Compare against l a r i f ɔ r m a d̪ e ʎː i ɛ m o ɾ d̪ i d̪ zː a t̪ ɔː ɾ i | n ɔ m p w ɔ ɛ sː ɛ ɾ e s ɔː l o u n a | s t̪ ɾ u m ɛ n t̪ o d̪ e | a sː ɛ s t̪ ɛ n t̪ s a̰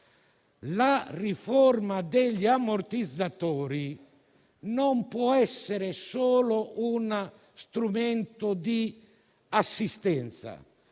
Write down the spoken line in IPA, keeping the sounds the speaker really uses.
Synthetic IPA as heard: l a r i f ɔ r m a d̪ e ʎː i a m o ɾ t̪ i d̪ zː a t̪ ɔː ɾ i | n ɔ m p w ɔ ɛ sː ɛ ɾ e s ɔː l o u n a | s t̪ ɾ u m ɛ n t̪ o d̪ i | a sː i s t̪ ɛ n t̪ s a̰

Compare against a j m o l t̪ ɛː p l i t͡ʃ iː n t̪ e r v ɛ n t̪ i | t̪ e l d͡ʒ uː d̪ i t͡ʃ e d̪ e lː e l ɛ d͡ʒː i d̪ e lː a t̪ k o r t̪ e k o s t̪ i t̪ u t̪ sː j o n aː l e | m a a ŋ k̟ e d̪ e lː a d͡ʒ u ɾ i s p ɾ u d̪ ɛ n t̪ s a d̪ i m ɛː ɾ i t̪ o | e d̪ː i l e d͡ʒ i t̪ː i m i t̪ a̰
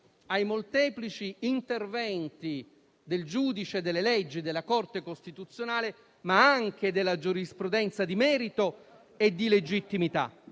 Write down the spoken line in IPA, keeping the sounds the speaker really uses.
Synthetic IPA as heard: a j m o l t̪ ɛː p l i t͡ʃ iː n t̪ e r v ɛ n t̪ i | d̪ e l d͡ʒ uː d̪ i t͡ʃ e d̪ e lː e l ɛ d͡ʒː i d̪ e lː a k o r t̪ e k o s t̪ i t̪ u t̪ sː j o n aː l e | m a a ŋ k̟ e d̪ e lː a d͡ʒ u ɾ i s p ɾ u d̪ ɛ n t̪ s a d̪ i m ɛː ɾ i t̪ o | e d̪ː i l e d͡ʒ i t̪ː i m i t̪ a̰

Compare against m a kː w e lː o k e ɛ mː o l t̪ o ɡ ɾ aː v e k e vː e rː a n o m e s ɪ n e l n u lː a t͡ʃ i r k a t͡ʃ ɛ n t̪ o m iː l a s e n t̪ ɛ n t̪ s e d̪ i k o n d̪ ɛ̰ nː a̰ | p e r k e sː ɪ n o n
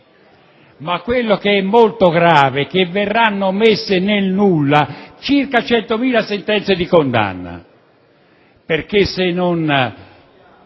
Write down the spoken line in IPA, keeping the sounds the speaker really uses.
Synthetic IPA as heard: m a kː w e lː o k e ɛ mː o l t̪ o ɡ ɾ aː v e k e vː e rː a nː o m e sː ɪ n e l n u lː a t͡ʃ i r k a t͡ʃ ɛ n t̪ o m iː l a s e n t̪ ɛ n t̪ s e d̪ i k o n d̪ a̰ nː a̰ | p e r k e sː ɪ n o n

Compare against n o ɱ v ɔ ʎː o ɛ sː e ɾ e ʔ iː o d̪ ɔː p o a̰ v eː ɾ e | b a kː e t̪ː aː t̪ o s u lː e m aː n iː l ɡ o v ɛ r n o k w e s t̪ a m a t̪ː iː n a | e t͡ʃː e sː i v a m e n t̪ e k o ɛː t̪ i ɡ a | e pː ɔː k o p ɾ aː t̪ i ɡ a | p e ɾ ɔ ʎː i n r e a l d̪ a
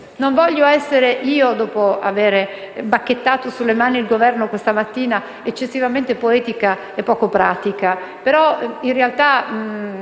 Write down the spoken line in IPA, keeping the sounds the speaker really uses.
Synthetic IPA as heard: n o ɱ v ɔ ʎː o ɛ sː e ɾ e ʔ iː o d̪ ɔː p o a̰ v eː ɾ e | b a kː e t̪ː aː t̪ o s u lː e m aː n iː l ɡ o v ɛ r n o k w e s t̪ a m a t̪ː iː n a | e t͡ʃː e sː i v a m e n t̪ e p o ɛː t̪ i k a | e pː ɔː k o p ɾ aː t̪ i k a | p e ɾ ɔ i n r e a l t̪ a

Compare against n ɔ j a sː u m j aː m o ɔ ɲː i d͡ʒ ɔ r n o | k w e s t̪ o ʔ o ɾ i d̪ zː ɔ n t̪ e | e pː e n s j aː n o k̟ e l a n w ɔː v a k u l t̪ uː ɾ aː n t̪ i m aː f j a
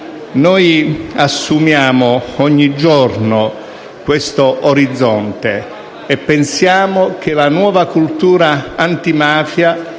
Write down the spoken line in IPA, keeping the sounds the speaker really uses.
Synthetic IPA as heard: n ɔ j a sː u m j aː m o ɔ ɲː i d͡ʒ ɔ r n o | k w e s t̪ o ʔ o ɾ i d̪ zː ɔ n t̪ e | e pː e n s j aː m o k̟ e l a n w ɔː v a k u l t̪ uː ɾ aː n t̪ i m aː f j a

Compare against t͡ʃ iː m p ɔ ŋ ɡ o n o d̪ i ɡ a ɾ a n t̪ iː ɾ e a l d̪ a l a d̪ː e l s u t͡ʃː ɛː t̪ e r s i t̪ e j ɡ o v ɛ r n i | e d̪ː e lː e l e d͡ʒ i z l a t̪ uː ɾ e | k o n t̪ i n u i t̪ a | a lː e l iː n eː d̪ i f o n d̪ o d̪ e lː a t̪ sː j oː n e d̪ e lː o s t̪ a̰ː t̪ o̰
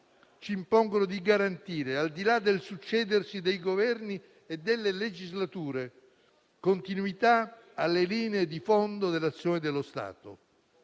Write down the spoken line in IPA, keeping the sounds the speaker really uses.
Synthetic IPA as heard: t͡ʃ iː m p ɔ ŋ ɡ o n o d̪ i ɡ a ɾ a n t̪ iː ɾ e a l d̪ i l a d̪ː e l s u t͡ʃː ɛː d̪ e r s i d̪ e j ɡ o v ɛ r n i | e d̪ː e lː e l e d͡ʒ i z l a t̪ uː ɾ e | k o n t̪ i n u i t̪ a | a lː e l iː n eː d̪ i f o n d̪ o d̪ e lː a t̪ sː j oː n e d̪ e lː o s t̪ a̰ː t̪ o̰

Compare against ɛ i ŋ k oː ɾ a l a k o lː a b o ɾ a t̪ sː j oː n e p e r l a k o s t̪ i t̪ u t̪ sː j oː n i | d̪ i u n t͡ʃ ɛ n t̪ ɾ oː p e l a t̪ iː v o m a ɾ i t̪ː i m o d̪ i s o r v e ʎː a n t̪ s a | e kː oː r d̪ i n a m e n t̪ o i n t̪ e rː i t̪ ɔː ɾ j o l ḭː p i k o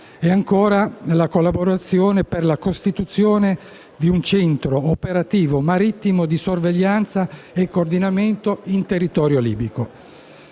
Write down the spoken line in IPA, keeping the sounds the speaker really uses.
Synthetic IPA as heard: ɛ a ŋ k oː ɾ a l a k o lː a b o ɾ a t̪ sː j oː n e p e r l a k o s t̪ i t̪ u t̪ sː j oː n e | d̪ i u n t͡ʃ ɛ n t̪ ɾ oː p e ɾ a t̪ iː v o m a ɾ i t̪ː i m o d̪ i s o r v e ʎː a n t̪ s a | e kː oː r d̪ i n a m e n t̪ o i n t̪ e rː i t̪ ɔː ɾ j o l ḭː b i k o

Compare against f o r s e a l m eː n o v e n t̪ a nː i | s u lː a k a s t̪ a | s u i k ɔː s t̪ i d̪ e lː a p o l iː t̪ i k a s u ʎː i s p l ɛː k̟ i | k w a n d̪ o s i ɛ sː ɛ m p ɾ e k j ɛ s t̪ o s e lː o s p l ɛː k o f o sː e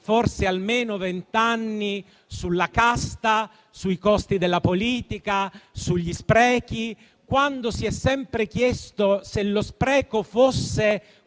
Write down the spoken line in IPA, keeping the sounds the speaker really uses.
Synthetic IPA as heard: f o r s e a l m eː n o v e n t̪ a nː i | s u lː a k a s t̪ a | s u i k ɔ s t̪ i d̪ e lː a p o l iː t̪ i k a s u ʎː i s p ɾ ɛː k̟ i | k w a n d̪ o s i ɛ sː ɛ m p ɾ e k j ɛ s t̪ o s e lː o s p ɾ ɛː k o f o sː e

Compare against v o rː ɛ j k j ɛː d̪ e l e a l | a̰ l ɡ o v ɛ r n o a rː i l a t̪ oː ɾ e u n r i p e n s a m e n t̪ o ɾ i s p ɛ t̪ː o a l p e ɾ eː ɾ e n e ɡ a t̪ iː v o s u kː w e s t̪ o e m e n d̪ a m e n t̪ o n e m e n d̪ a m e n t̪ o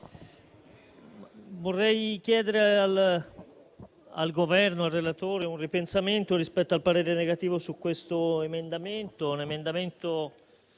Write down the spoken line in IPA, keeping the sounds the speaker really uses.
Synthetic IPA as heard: v o rː ɛ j k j ɛː d̪ e ɾ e a l | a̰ l ɡ o v ɛ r n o a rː e l a t̪ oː ɾ e u n r i p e n s a m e n t̪ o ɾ i s p ɛ t̪ː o a l p a ɾ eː ɾ e n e ɡ a t̪ iː v o s u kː w e s t̪ o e m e n d̪ a m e n t̪ o n e m e n d̪ a m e n t̪ o

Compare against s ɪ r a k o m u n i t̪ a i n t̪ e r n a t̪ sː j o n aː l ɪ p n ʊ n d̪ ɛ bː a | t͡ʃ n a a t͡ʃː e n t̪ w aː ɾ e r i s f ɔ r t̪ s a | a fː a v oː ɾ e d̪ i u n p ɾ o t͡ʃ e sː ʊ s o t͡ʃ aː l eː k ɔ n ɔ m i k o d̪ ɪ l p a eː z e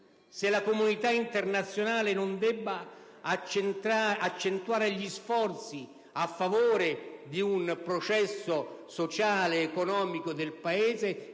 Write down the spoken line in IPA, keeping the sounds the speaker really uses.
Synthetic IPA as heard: s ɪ l a k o m u n i t̪ a i n t̪ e r n a t̪ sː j o n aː l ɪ n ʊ n d̪ ɛ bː a | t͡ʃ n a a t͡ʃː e n t̪ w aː ɾ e ʎ i s f ɔ r t̪ s i | a fː a v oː ɾ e d̪ i u n p ɾ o t͡ʃ ɛ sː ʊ s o t͡ʃ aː l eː k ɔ n ɔː m i k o d̪ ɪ l p a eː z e

